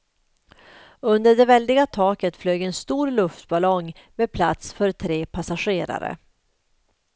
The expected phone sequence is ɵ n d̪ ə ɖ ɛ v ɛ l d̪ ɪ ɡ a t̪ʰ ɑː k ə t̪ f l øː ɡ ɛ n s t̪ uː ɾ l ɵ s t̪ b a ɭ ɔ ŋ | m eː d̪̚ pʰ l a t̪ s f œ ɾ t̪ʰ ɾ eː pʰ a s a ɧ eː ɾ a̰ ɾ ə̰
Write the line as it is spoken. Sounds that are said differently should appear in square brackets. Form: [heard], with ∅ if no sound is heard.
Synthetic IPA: ɵ n d̪ ə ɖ ɛ v ɛ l d̪ ɪ ɡ a t̪ʰ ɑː k ə t̪ f l øː ɡ ɛ n s t̪ uː ɾ l ɵ [f] t̪ b a [l] ɔ ŋ | m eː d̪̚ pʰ l a t̪ s f œ ɾ t̪ʰ ɾ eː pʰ a s a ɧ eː ɾ a̰ ɾ ə̰